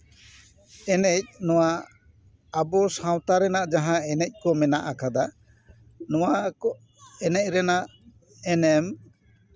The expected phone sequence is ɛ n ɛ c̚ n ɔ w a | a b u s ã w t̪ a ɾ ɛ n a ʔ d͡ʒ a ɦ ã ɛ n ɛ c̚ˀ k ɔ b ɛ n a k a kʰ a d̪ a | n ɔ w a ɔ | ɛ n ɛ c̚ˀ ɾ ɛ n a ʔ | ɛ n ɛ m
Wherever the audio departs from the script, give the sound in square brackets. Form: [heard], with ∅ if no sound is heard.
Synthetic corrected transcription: ɛ n ɛ c̚ n ɔ w a | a b [ɔ] s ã w t̪ a ɾ ɛ n a ʔ d͡ʒ a ɦ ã ɛ n ɛ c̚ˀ k ɔ [m] ɛ n a [ʔ] a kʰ a d̪ a | n ɔ w a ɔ | ɛ n ɛ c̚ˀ ɾ ɛ n a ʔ | ɛ n ɛ m